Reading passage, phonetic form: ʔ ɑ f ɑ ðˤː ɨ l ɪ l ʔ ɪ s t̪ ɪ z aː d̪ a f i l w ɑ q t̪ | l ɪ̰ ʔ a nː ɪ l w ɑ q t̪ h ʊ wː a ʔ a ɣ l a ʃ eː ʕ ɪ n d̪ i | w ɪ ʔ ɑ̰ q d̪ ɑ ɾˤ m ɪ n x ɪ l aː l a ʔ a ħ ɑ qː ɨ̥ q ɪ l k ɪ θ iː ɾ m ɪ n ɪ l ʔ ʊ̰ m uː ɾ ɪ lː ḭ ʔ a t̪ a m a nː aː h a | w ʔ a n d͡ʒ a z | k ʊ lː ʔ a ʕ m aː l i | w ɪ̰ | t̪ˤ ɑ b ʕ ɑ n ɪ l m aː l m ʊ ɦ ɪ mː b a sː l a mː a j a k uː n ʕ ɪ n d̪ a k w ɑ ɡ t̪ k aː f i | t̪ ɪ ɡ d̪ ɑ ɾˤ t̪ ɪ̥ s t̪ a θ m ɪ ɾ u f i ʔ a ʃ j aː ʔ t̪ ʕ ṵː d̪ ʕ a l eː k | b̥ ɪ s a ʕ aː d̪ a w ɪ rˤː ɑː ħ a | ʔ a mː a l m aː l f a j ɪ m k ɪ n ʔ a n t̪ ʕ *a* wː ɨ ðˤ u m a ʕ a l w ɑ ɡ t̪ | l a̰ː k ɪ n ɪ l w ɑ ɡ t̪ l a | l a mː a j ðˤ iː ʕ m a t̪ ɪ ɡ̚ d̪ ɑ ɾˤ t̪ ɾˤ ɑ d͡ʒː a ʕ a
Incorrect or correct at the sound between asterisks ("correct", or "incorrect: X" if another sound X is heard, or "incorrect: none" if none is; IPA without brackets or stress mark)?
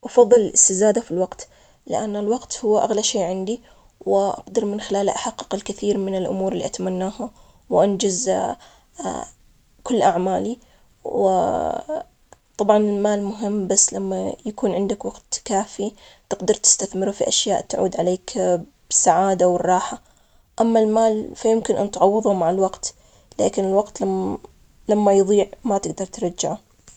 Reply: incorrect: ɑ